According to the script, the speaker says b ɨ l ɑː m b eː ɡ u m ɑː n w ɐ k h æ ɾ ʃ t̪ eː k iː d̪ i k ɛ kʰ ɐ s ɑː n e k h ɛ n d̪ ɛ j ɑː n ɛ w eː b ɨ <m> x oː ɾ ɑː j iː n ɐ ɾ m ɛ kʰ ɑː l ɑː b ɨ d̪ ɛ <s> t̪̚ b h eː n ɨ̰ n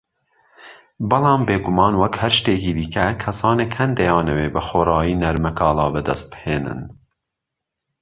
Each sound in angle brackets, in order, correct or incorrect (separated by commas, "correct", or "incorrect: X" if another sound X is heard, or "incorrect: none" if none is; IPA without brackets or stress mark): incorrect: none, correct